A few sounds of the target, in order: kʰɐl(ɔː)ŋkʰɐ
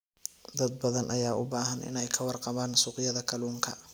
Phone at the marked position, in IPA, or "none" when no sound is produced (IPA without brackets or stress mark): uː